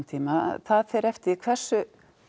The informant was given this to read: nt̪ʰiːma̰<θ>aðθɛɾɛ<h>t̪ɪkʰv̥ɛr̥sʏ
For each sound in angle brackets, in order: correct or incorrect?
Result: correct, incorrect: f

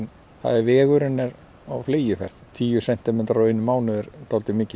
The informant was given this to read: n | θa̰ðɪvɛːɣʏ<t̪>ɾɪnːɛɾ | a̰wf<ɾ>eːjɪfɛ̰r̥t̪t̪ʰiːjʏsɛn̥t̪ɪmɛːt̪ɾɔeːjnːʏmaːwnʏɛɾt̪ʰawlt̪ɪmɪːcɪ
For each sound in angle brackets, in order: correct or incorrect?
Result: incorrect: none, incorrect: l

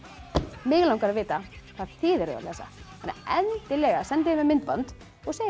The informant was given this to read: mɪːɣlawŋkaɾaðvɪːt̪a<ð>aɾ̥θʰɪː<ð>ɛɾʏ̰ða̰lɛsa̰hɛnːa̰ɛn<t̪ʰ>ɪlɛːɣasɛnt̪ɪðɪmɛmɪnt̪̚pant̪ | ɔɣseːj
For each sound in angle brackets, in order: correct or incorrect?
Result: incorrect: θ, correct, incorrect: t̪

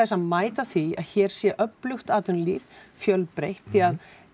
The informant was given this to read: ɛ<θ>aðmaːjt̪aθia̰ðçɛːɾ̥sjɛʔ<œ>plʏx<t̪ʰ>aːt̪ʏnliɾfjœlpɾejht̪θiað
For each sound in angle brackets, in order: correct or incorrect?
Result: incorrect: s, correct, incorrect: t̪

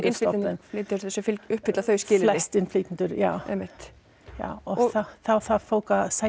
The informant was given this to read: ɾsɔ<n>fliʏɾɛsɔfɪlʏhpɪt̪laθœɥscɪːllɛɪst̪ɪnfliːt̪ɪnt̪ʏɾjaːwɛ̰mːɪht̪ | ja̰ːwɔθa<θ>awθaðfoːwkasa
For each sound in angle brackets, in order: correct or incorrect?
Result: correct, correct

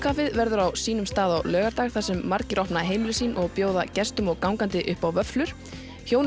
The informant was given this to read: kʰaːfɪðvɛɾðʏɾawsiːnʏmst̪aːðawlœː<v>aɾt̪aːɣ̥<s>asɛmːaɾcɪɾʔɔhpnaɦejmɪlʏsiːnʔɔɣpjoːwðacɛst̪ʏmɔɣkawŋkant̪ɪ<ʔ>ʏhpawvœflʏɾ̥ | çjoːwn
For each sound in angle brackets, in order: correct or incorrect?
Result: incorrect: ɣ, incorrect: θ, correct

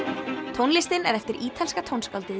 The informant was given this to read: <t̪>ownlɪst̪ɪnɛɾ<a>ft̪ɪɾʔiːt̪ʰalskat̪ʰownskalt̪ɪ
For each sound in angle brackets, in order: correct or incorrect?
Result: incorrect: t̪ʰ, incorrect: ɛ

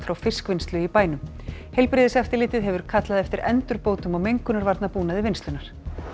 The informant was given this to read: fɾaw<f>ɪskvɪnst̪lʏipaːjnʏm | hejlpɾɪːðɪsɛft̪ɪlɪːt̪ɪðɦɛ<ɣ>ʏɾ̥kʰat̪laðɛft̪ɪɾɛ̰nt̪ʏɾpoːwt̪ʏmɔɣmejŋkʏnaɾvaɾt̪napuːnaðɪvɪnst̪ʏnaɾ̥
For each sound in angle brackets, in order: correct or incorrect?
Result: correct, incorrect: v

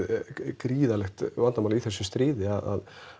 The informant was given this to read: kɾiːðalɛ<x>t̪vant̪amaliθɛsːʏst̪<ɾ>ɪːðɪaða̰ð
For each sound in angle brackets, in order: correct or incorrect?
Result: correct, correct

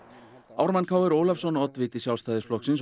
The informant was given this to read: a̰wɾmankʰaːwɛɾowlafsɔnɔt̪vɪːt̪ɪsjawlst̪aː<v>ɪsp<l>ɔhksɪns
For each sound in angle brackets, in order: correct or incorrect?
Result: incorrect: ð, correct

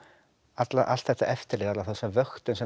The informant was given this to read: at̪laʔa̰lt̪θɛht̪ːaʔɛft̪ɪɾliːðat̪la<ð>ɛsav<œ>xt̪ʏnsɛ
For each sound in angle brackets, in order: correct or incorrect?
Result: incorrect: θ, correct

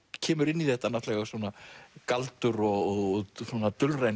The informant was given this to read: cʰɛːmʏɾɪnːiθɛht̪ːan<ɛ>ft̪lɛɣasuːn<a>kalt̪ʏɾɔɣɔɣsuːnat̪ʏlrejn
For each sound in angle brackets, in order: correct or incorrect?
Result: incorrect: a, correct

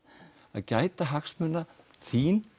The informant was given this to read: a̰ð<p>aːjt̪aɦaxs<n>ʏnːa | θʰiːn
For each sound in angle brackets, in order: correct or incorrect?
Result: incorrect: c, incorrect: m

